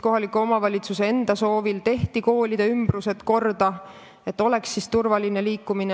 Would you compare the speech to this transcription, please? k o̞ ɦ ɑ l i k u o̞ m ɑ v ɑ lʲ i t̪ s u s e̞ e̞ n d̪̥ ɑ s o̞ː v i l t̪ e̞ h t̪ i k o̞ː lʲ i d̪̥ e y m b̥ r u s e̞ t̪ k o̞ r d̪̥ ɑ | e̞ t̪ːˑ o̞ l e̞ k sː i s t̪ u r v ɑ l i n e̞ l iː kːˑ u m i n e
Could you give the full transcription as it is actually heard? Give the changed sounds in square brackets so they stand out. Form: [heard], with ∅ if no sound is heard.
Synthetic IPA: k o̞ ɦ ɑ l i k u o̞ m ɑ v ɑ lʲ i t̪ s u s e̞ e̞ n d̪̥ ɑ s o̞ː v i l t̪ e̞ h t̪ i k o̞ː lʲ i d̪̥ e y m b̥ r u s e̞ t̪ k o̞ r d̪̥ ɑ | e̞ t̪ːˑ o̞ l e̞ k sː i s t̪ u r v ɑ l i n e̞ l iː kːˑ u m i n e